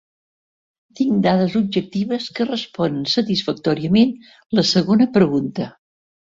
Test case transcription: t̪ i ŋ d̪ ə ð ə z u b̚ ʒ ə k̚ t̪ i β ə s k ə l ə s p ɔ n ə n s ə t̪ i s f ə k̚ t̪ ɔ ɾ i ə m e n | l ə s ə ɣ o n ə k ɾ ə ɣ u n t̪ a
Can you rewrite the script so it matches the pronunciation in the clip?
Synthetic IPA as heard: t̪ i ŋ d̪ a ð ə z u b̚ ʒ ə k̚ t̪ i β ə s k ə r ə s p ɔ n ə n s ə t̪ i s f ə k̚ t̪ ɔ ɾ i ə m e n | l ə s ə ɣ o n ə p ɾ ə ɣ u n t̪ ə